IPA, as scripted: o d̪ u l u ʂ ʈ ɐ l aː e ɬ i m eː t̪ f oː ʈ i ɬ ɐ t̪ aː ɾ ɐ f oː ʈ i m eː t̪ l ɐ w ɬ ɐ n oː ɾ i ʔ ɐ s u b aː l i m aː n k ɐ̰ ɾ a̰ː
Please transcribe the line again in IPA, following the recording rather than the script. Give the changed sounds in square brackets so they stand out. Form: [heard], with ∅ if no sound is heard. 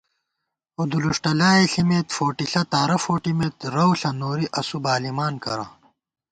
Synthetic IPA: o d̪ u l u ʂ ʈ ɐ l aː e ɬ i m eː t̪ f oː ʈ i ɬ ɐ t̪ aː ɾ ɐ f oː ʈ i m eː t̪ [ɾ] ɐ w ɬ ɐ n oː ɾ i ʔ ɐ s u b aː l i m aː n k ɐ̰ ɾ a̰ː